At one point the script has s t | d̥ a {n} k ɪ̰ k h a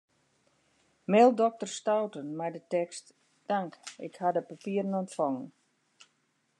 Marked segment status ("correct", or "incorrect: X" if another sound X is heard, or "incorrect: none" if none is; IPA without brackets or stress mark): incorrect: ŋ